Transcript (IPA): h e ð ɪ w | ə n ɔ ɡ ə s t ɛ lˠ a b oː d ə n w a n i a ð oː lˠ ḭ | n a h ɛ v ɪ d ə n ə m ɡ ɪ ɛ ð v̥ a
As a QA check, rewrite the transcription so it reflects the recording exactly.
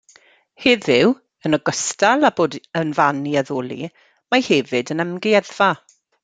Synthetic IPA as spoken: h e ð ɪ w | ə n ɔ ɡ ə s t a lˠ a b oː d ə n v a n i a ð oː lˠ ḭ | m a h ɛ v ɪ d ə n ə m ɡ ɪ ɛ ð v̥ a